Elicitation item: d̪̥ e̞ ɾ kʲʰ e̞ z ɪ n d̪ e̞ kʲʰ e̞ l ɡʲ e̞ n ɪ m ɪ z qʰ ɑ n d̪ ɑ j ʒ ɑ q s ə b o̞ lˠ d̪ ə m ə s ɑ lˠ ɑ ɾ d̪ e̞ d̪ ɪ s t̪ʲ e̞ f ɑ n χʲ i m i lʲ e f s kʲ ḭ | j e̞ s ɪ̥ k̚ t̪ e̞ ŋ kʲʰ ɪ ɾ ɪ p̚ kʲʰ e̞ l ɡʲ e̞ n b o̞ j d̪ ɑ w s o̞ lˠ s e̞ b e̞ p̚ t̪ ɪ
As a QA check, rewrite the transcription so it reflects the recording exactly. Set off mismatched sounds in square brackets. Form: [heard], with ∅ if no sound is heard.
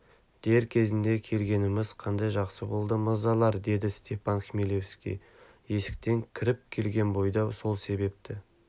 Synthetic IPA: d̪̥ e̞ ɾ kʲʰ e̞ z ɪ n d̪ e̞ kʲʰ e̞ l ɡʲ e̞ n ɪ m ɪ z qʰ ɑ n d̪ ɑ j ʒ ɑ q s ə b o̞ lˠ d̪ ə m ə [z] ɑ lˠ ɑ ɾ d̪ e̞ d̪ ɪ s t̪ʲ e̞ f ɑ n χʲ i m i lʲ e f s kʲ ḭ | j e̞ s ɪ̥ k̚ t̪ e̞ ŋ kʲʰ ɪ ɾ ɪ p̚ kʲʰ e̞ l ɡʲ e̞ n b o̞ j d̪ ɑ w s o̞ lˠ s e̞ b e̞ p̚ t̪ ɪ